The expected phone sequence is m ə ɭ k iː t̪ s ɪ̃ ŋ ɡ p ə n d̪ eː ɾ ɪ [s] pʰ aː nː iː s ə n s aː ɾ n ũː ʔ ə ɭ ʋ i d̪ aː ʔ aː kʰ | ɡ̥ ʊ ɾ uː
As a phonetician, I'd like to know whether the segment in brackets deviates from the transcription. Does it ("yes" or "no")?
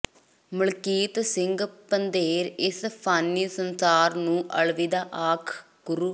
no